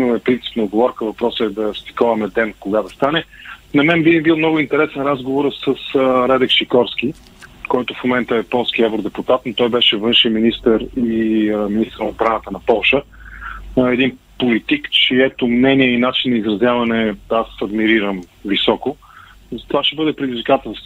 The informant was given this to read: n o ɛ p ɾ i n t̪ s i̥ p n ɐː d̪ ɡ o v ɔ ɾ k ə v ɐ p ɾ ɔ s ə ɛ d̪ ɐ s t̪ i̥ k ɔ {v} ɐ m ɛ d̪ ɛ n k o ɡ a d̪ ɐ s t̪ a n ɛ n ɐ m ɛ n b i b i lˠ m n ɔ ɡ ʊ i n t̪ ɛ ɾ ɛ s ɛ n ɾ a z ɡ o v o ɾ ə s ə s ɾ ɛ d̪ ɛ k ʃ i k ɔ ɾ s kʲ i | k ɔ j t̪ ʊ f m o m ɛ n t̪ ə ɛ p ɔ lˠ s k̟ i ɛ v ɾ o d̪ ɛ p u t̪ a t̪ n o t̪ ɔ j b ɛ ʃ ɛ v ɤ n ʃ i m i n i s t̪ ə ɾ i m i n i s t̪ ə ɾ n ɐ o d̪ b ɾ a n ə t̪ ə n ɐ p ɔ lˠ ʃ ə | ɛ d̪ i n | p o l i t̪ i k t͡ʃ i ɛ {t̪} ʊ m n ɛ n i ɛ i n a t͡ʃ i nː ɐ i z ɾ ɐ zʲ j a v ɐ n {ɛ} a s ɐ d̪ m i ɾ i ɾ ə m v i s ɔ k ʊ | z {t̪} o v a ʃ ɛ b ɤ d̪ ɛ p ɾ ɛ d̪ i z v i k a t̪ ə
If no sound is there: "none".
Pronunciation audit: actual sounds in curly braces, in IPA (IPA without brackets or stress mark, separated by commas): v, t̪, ɛ, t̪